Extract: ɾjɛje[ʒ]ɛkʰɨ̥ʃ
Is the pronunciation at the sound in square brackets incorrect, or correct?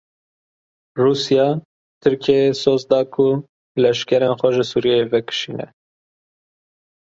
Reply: incorrect: v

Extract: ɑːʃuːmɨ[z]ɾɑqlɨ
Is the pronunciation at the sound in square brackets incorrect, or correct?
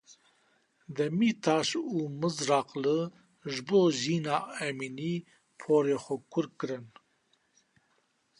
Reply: correct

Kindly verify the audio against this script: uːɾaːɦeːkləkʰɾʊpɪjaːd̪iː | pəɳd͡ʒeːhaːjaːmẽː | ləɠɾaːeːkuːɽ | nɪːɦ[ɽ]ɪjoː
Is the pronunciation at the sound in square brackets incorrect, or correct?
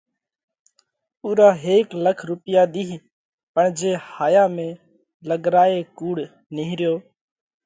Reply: incorrect: ɾ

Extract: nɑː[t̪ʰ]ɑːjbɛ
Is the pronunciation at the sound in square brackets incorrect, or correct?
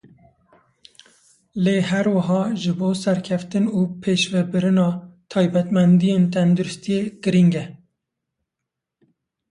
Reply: correct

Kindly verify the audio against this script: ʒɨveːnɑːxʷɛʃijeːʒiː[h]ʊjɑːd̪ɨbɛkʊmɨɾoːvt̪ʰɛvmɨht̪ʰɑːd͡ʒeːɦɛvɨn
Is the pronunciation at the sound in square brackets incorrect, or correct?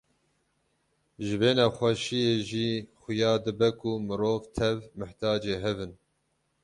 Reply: incorrect: x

